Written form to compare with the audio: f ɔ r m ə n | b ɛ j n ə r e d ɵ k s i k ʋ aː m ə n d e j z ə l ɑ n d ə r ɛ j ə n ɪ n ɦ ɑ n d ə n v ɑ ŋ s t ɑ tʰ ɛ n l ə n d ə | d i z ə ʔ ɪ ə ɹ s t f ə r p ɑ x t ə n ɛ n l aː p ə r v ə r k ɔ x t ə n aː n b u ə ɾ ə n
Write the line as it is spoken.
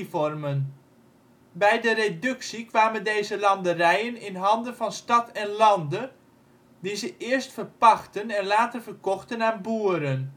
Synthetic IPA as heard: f ɔ r m ə n | b ɛ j d ə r e d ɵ k s i k ʋ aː m ə n d e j z ə l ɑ n d ə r ɛ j ə n ɪ n ɦ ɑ n d ə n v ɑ n s t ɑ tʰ ɛ n l ɑ n d ə | d i z ə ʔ ɪ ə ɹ s t f ə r p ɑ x t ə n ɛ n l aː t ə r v ə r k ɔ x t ə n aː n b u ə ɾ ə n